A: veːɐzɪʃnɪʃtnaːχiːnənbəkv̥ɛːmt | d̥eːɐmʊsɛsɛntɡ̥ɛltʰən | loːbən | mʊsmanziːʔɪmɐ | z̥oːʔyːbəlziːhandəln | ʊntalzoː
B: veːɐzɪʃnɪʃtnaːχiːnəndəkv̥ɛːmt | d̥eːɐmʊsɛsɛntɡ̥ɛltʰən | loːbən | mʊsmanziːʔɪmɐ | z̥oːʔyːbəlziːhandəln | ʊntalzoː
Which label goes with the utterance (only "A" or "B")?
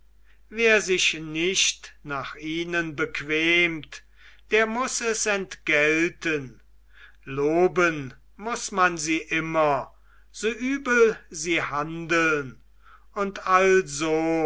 A